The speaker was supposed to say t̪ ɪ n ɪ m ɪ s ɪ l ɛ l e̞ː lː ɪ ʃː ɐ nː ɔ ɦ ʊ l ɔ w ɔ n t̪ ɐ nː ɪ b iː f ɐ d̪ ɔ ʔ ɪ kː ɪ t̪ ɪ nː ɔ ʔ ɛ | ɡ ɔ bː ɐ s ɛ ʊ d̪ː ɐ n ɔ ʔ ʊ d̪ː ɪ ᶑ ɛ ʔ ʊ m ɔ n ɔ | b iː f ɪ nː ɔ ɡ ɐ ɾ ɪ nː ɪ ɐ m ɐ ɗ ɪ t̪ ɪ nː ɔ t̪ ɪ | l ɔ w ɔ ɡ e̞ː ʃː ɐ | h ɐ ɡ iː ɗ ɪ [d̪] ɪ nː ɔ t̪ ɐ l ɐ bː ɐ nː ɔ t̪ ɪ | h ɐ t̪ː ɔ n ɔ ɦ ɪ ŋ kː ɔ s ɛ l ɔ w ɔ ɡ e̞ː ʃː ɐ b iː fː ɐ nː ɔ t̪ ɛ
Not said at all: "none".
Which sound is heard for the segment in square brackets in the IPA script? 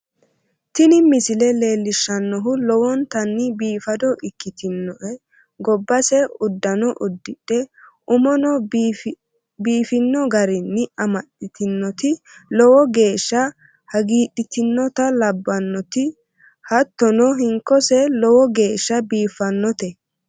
t̪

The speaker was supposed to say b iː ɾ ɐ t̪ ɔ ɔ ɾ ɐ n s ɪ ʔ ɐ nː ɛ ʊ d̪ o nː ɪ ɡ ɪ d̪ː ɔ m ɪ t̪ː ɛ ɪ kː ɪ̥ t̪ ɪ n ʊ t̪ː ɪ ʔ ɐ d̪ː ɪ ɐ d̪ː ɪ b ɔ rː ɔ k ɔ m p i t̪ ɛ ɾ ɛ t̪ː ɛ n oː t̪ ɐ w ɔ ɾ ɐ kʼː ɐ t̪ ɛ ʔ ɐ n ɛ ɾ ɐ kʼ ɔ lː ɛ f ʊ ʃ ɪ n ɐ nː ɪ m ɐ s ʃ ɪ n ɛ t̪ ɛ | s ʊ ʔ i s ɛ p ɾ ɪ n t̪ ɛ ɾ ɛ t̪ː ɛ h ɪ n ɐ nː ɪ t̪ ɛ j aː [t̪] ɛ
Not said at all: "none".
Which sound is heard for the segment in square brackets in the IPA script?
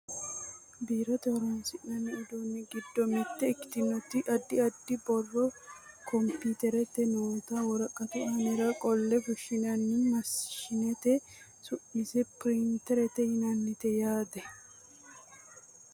d̪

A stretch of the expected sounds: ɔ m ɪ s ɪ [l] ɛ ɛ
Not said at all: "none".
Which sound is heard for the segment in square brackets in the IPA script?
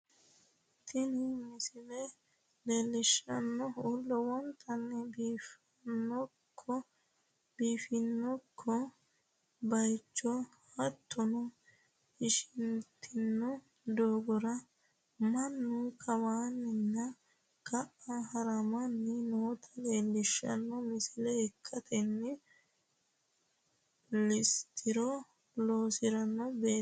l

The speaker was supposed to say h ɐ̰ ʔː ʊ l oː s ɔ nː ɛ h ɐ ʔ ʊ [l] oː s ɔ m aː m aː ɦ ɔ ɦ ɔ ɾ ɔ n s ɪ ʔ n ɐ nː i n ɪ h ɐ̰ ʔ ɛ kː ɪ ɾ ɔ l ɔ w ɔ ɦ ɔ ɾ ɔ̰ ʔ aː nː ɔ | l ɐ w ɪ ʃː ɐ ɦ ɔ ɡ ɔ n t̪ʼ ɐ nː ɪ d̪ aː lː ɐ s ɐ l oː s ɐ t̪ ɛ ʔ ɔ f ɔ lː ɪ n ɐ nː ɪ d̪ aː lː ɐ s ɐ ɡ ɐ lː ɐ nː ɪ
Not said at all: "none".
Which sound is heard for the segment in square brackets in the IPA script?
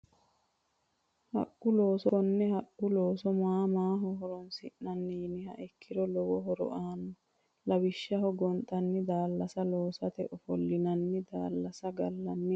l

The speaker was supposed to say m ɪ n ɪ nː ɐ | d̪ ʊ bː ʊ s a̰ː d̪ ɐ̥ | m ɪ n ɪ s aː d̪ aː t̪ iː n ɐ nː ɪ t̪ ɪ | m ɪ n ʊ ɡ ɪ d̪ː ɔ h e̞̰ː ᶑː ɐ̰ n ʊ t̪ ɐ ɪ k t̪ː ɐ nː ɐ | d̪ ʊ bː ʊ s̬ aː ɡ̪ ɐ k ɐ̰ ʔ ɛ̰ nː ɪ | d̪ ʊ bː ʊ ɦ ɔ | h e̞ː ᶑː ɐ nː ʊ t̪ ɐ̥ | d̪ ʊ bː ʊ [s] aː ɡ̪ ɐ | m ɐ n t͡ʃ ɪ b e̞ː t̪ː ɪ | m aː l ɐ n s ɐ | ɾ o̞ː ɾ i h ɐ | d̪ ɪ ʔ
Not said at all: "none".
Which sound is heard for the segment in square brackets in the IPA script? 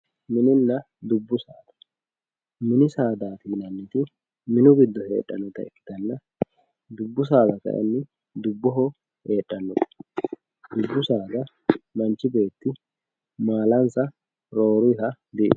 s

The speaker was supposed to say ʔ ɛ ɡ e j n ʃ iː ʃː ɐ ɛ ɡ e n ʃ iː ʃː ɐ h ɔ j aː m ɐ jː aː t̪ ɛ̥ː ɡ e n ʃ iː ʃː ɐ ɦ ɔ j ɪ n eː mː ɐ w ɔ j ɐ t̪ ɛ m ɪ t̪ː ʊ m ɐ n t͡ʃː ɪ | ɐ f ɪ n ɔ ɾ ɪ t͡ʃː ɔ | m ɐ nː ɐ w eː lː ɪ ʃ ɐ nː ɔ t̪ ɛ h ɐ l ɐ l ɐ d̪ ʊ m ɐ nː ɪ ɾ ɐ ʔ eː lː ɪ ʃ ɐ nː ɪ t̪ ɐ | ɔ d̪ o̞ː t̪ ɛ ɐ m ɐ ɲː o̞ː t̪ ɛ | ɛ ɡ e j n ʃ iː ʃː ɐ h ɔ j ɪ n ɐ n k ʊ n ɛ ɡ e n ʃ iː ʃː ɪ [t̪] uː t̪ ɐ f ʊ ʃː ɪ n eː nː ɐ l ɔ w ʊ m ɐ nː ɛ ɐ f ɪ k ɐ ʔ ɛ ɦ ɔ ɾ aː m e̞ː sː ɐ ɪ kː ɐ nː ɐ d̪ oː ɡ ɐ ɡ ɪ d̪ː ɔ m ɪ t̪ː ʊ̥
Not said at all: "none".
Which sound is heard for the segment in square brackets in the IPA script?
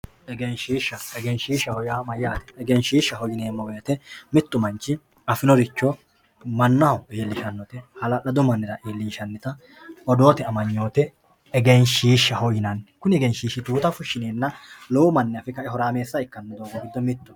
t̪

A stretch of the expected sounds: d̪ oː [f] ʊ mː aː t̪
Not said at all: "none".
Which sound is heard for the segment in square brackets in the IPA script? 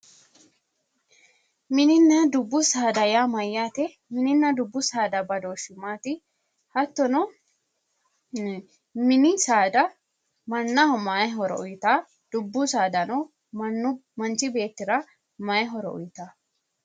ʃ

